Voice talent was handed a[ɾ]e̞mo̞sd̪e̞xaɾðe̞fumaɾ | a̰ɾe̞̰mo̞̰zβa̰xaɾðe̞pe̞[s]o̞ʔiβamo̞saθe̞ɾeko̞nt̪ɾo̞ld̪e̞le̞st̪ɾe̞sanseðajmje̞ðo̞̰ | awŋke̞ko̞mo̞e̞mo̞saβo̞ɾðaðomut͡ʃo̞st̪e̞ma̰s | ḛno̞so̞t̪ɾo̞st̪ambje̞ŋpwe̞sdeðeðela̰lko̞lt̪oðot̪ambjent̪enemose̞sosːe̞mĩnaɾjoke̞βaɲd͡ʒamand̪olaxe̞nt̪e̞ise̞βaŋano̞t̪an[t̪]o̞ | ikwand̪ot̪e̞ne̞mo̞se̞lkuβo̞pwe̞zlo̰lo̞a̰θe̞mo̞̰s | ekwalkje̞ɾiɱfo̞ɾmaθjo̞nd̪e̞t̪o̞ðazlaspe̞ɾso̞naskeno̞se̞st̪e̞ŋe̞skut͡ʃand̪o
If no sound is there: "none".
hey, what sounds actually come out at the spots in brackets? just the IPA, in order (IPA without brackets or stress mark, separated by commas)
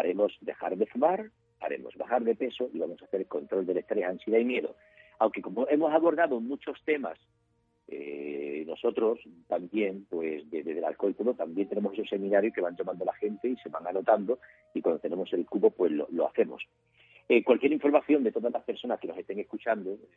ɾ, s, d̪